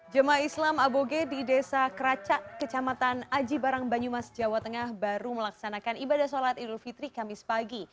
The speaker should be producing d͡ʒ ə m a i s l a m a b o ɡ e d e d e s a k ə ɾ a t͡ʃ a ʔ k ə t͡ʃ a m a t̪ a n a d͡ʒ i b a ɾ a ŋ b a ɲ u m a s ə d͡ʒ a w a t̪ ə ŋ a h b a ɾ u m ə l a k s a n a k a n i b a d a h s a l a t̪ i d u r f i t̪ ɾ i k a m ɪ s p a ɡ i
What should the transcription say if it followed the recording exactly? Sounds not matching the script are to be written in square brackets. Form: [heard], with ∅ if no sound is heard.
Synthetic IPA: d͡ʒ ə m a i s l a m a b o ɡ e d [i] d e s a k ə ɾ a t͡ʃ a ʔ k ə t͡ʃ a m a t̪ a n a d͡ʒ i b a ɾ a ŋ b a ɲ u m a s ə d͡ʒ a w a t̪ ə ŋ a h b a ɾ u m ə l a k s a n a k a n i b a d a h s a l a t̪ i d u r f i t̪ ɾ i k a m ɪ s p a ɡ i